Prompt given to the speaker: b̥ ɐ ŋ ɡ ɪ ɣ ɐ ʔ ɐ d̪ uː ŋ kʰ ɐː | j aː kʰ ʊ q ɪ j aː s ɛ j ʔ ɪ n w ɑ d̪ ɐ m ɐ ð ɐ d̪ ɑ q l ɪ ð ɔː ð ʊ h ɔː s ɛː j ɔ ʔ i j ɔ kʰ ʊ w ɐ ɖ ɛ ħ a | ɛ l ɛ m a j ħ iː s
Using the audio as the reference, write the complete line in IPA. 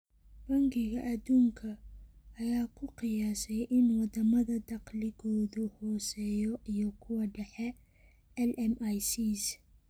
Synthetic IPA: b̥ ɐ ŋ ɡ ɪ ɣ ɐ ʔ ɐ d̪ uː ŋ kʰ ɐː | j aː kʰ ʊ q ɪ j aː s ɛ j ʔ ɪ n w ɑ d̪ ɐ m ɐ ð ɐ d̪ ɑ q l ɪ ɣ ɔː ð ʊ h ɔː s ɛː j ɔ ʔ i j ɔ kʰ ʊ w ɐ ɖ ɛ ħ ɛ | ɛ l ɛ m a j s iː s

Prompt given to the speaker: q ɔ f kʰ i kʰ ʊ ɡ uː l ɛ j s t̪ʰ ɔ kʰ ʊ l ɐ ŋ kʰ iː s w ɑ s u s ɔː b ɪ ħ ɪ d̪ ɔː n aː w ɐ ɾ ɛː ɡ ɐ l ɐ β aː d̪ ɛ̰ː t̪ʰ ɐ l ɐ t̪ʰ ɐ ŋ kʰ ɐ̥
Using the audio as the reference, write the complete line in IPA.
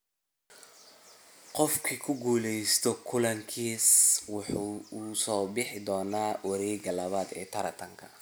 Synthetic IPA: q ɔ f kʰ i kʰ ʊ ɡ uː l ɛ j s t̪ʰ ɔ kʰ ʊ l ɐ ŋ kʰ iː s w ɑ ħ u s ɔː b ɪ ħ ɪ d̪ ɔː n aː w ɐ ɾ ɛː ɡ ɐ l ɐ β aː d̪ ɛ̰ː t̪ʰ ɐ ɾ ɐ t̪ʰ ɐ ŋ kʰ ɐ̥

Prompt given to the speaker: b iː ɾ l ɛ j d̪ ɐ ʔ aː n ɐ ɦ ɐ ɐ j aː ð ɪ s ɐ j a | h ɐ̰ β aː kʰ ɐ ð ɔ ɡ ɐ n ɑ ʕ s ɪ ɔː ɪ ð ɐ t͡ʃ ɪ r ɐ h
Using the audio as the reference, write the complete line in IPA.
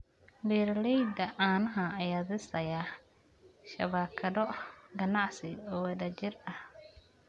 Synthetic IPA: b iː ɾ l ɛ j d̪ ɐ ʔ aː n ɐ ɦ ɐ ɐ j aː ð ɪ s ɐ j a | ʃ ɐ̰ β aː kʰ ɐ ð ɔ ɡ ɐ n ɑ ʕ s ɪ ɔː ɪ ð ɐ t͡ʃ ɪ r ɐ h

